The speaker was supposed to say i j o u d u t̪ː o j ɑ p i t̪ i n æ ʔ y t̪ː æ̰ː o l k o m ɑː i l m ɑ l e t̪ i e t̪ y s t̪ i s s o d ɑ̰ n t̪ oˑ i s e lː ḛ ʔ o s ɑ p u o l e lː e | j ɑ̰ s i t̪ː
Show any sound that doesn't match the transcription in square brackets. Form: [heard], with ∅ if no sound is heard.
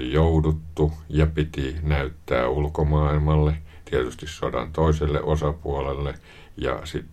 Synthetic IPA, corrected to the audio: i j o u d u t̪ː [u] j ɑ p i t̪ i n æ [∅] y t̪ː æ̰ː [u] l k o m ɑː i l m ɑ [lː] e t̪ i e t̪ y s t̪ i s s o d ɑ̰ n t̪ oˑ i s e lː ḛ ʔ o s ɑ p u o l e lː e | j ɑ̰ s i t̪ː